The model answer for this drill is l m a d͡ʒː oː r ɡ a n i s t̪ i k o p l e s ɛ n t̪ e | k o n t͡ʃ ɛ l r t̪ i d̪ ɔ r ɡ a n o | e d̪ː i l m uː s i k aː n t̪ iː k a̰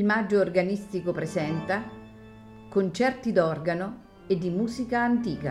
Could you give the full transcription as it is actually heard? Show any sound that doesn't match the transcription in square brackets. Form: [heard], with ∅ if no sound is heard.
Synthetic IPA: l m a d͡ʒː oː r ɡ a n i s t̪ i k o p [ɾ] e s ɛ n t̪ [a] | k o n t͡ʃ ɛ [∅] r t̪ i d̪ ɔ r ɡ a n o | e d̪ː i [∅] m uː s i k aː n t̪ iː k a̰